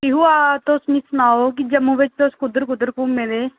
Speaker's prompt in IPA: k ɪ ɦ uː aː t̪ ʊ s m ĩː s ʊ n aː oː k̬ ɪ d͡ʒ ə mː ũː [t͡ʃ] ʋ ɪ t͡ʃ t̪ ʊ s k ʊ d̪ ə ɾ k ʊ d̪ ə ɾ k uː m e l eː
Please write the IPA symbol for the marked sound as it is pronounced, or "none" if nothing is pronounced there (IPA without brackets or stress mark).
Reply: none